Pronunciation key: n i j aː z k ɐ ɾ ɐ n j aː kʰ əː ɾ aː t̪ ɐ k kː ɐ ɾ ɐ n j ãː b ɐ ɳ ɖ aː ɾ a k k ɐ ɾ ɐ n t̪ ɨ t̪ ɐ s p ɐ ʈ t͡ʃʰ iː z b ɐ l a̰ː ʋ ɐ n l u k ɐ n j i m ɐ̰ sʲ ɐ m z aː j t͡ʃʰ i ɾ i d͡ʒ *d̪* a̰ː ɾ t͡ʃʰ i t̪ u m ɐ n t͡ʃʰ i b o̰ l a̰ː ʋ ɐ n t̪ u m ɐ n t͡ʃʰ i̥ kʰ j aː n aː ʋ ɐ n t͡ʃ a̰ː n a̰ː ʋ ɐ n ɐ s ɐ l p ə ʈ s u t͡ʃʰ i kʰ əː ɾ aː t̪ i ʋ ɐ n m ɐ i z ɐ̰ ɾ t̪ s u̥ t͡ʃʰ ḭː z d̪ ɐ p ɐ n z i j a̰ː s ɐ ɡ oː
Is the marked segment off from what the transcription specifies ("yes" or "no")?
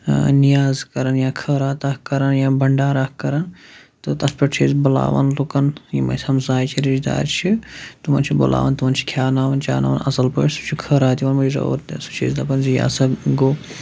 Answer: no